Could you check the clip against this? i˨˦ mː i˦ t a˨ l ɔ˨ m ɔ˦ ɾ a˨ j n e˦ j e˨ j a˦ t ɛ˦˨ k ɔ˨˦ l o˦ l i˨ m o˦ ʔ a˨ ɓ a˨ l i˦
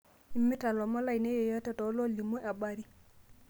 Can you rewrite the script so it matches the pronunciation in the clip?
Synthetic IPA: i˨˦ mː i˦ t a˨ l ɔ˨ m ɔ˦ l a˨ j n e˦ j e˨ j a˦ t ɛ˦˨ t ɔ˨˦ l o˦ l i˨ m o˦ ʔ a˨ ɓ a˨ ɾ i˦

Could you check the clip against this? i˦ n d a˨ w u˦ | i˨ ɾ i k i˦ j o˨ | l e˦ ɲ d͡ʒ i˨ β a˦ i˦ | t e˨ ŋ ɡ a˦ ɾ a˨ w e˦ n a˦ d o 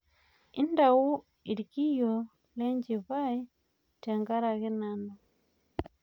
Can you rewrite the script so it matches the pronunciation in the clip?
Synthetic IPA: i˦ n d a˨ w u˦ | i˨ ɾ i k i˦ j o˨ | l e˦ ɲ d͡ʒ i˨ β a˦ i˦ | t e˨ ŋ ɡ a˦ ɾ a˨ ɣ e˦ n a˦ n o

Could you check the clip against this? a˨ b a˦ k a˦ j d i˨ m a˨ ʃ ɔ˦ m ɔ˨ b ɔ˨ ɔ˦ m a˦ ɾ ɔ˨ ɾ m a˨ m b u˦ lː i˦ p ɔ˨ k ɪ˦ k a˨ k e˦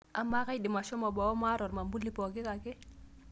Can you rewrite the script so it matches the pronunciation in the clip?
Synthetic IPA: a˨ m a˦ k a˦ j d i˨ m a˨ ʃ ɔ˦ m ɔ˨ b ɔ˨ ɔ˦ m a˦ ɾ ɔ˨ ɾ m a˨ m b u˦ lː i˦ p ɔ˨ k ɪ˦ k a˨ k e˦

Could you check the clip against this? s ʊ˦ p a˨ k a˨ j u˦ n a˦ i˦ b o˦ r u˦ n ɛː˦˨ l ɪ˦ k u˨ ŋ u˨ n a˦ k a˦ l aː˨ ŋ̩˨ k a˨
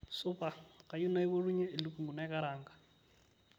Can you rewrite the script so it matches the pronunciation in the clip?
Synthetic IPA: s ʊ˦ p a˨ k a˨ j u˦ n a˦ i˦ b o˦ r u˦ ɲ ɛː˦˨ l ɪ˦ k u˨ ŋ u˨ n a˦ k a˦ ɾ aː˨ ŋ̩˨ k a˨

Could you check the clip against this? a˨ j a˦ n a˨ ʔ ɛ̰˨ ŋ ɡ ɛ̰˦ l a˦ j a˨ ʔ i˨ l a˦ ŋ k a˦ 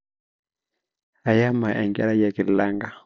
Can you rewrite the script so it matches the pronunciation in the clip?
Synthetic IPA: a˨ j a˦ m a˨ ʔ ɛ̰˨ ŋ ɡ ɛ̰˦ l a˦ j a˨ k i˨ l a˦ ŋ ɡ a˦

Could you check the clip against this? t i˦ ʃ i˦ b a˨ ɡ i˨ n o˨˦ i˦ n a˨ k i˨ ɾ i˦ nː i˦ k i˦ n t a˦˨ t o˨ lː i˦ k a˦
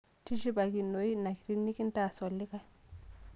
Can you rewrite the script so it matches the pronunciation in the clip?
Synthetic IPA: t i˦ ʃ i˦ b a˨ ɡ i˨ n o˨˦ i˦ n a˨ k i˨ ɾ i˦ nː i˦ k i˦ n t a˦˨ s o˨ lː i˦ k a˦

